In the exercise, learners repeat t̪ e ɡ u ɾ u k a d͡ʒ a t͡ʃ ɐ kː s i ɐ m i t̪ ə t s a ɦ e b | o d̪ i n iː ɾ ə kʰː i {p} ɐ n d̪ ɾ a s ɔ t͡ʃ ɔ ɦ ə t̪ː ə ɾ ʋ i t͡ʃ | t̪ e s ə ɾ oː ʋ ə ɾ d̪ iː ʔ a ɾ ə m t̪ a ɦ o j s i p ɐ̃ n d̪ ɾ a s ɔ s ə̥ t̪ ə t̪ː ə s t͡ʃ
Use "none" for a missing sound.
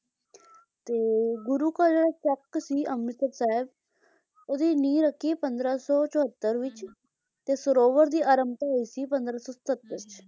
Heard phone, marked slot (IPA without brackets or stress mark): p